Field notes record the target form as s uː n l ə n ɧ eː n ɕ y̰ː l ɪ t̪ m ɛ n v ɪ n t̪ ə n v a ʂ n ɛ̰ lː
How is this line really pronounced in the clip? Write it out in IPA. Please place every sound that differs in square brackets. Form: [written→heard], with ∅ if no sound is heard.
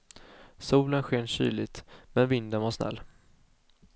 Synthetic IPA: s uː [n→∅] l ə n ɧ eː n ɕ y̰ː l ɪ t̪ m ɛ n v ɪ n [t̪→d̪] ə n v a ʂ n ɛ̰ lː